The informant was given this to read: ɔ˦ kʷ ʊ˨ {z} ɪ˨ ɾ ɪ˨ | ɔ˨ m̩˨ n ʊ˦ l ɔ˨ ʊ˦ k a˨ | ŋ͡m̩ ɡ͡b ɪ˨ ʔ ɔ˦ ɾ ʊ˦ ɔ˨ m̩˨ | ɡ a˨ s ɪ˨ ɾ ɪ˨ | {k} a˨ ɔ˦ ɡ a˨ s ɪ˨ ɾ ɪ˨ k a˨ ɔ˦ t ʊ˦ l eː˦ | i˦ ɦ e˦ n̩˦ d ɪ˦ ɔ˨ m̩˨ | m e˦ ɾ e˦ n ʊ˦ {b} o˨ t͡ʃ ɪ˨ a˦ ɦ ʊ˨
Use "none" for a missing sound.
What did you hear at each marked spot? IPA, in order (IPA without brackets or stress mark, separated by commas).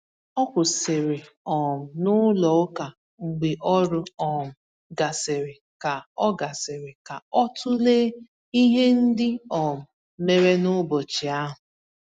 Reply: s, k, b